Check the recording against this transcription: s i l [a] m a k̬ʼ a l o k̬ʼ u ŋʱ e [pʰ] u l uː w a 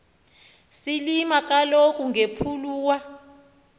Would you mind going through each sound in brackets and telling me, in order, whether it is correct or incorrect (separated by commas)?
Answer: incorrect, correct